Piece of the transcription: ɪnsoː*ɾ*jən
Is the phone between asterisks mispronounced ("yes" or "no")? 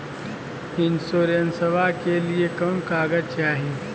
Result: no